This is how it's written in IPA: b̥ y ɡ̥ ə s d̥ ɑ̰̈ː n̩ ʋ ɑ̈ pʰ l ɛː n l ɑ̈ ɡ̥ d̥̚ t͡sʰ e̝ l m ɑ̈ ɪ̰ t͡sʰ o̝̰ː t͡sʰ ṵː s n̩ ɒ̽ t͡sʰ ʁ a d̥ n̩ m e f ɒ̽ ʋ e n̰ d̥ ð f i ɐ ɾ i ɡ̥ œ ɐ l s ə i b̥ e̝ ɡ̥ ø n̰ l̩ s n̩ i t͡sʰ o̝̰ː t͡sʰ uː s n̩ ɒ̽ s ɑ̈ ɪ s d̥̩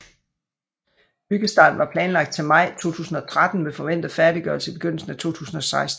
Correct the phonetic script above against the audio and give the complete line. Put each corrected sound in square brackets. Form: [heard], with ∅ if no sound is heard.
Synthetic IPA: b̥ y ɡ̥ ə s d̥ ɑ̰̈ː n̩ ʋ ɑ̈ pʰ l ɛː n l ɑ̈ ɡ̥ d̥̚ t͡sʰ e̝ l m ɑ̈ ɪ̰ t͡sʰ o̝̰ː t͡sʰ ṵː s n̩ ɒ̽ t͡sʰ ʁ a d̥ n̩ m e f ɒ̽ ʋ e n̰ d̥ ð f [æ] ɐ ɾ i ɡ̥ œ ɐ l s ə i b̥ e̝ ɡ̥ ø n̰ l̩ s n̩ [æ] t͡sʰ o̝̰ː t͡sʰ uː s n̩ ɒ̽ s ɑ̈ ɪ s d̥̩